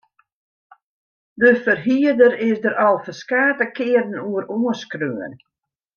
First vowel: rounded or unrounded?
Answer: unrounded